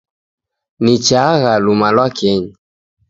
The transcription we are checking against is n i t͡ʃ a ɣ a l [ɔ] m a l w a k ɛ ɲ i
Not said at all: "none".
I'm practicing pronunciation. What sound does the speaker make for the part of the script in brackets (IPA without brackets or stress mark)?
u